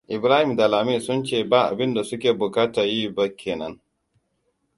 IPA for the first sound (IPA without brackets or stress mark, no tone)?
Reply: ʔ